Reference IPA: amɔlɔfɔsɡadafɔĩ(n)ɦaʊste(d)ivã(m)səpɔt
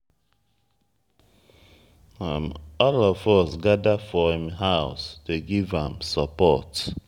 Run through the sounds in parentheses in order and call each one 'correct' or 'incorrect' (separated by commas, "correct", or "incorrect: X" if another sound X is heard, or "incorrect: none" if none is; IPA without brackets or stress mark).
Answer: incorrect: m, incorrect: ɡ, correct